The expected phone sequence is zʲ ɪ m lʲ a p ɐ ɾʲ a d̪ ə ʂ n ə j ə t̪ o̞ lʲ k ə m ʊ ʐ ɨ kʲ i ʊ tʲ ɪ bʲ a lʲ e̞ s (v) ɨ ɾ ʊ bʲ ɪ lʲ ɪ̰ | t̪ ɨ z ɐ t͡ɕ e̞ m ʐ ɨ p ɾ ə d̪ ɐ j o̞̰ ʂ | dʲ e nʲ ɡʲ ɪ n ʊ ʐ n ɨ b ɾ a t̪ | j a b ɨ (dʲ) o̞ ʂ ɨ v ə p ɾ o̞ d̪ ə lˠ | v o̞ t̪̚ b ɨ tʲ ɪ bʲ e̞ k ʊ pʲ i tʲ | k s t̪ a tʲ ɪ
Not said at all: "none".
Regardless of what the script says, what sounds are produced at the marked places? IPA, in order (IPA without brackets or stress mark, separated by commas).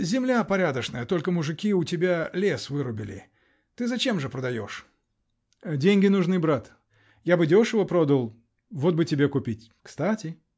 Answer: v, dʲ